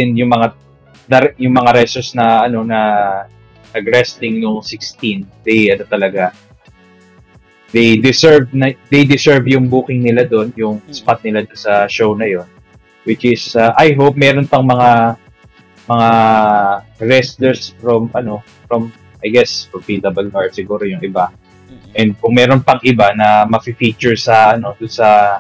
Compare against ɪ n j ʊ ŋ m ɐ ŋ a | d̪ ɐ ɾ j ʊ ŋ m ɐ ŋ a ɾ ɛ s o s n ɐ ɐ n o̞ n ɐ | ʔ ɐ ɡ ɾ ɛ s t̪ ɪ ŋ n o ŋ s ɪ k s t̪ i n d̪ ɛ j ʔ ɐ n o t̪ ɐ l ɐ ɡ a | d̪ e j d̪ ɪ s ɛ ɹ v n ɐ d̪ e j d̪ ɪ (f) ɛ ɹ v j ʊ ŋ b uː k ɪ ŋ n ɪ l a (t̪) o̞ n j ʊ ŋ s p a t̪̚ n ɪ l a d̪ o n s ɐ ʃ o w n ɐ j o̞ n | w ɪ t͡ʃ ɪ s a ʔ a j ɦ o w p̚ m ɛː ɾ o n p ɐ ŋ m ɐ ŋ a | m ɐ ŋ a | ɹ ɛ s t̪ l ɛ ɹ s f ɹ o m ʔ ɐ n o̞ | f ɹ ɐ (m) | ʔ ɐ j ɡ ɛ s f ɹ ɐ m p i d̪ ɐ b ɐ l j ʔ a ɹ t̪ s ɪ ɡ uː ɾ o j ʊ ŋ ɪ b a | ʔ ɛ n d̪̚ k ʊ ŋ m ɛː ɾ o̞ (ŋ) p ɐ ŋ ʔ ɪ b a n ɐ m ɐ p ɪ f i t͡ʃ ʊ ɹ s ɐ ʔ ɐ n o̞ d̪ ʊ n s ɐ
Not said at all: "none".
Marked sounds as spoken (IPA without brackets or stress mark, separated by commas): s, d̪, m, n